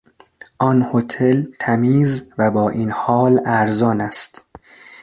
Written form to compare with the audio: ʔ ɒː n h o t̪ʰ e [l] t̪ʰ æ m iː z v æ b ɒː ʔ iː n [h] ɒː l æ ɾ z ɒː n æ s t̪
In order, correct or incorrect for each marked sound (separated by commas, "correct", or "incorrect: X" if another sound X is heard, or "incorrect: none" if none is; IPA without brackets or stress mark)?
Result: correct, correct